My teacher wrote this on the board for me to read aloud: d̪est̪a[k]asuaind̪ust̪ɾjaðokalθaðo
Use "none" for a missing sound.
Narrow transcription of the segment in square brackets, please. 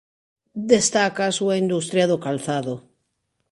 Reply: k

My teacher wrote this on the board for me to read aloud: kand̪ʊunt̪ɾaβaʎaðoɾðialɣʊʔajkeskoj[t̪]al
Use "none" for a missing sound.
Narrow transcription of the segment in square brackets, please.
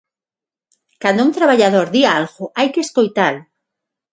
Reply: t̪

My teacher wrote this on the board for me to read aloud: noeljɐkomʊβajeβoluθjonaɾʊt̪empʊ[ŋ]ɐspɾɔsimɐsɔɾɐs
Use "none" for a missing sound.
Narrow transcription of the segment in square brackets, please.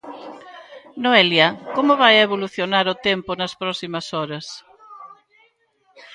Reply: n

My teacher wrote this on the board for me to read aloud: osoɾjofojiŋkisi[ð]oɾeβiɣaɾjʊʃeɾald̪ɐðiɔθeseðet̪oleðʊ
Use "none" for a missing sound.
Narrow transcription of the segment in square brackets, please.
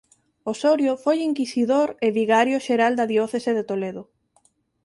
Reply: ð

